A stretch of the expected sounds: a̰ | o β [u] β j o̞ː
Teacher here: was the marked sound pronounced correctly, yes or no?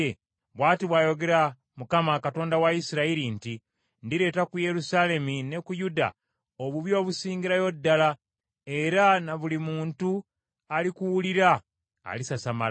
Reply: yes